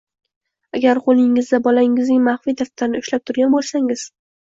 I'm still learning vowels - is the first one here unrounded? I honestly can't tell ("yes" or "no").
yes